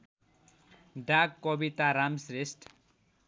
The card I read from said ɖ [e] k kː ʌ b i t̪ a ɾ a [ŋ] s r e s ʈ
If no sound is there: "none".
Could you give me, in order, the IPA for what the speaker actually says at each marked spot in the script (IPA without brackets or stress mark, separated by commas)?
a, m